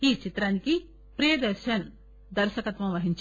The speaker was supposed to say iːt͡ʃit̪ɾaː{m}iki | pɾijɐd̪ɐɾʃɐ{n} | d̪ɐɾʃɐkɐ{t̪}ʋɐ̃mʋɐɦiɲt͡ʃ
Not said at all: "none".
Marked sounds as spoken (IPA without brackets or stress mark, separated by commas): n, n, t̪